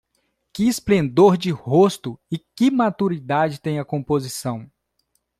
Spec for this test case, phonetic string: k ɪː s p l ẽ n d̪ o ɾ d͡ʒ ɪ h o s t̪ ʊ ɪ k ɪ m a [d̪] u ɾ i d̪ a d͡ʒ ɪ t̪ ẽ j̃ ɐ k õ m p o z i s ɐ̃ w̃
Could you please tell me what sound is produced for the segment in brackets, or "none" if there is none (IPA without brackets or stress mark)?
t̪